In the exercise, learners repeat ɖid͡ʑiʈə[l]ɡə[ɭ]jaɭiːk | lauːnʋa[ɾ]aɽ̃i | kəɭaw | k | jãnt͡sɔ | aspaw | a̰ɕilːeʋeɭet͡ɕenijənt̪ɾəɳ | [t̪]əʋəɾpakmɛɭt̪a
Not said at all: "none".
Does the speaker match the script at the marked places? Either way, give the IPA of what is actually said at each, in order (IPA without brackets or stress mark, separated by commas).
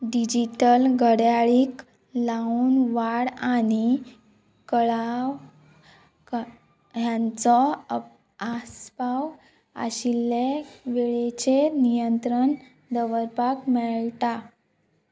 l, ɽ, ɽ, d̪